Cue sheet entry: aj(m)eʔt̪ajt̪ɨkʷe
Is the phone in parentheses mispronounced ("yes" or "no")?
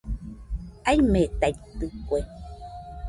no